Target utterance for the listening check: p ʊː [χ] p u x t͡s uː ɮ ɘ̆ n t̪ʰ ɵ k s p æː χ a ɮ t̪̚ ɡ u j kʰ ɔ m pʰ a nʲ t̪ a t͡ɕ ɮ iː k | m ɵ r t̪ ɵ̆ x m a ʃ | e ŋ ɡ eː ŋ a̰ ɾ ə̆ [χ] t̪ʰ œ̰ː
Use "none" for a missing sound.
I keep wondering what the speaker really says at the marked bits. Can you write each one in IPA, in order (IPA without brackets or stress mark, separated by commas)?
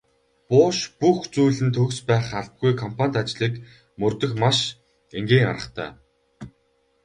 ʃ, χ